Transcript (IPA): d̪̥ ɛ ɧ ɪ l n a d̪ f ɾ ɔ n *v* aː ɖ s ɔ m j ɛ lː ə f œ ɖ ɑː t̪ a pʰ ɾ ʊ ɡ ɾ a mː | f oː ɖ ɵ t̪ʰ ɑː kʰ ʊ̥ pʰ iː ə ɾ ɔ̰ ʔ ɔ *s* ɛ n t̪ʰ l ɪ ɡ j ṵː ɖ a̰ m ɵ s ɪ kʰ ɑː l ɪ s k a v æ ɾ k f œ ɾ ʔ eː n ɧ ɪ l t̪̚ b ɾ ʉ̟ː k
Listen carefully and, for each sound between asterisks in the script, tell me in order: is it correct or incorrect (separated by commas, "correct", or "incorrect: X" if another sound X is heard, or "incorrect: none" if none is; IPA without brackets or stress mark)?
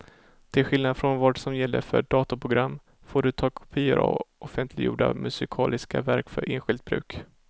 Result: correct, incorrect: f